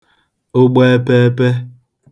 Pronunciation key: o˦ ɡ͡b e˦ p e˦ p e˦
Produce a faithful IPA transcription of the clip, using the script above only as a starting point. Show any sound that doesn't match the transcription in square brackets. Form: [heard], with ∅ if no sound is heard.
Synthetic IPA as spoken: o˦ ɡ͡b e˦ p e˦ p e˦